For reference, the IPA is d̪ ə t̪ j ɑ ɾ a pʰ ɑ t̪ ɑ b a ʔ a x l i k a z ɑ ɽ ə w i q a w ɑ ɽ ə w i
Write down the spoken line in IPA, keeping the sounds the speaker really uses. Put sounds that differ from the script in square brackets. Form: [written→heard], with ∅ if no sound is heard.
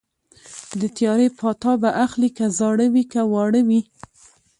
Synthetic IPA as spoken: d̪ ə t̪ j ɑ ɾ [a→e] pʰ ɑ t̪ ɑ b a ʔ a x l i k a z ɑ ɽ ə w i [q→k] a w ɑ ɽ ə w i